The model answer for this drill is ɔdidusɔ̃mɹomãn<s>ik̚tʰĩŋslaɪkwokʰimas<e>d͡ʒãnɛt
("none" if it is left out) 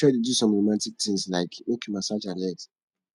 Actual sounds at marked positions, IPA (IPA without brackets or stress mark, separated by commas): t, a